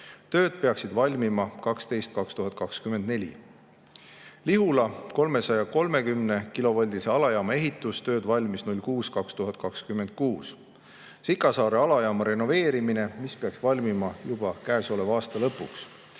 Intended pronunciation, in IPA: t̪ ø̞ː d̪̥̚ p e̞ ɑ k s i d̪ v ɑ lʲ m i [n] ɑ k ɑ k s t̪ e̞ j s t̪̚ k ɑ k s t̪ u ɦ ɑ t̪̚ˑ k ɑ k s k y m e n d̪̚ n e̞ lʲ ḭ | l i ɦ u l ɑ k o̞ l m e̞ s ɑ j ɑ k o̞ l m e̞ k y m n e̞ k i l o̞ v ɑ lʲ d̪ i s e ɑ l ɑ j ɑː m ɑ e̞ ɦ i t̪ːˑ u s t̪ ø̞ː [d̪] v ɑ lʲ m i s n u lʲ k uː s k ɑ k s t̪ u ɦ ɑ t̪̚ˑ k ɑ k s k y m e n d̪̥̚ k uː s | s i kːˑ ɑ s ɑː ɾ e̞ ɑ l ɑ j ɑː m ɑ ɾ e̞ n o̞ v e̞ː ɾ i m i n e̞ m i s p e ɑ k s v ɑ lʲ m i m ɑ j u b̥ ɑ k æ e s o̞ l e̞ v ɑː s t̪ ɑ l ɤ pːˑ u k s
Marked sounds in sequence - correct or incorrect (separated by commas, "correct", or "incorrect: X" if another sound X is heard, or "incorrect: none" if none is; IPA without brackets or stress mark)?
incorrect: m, correct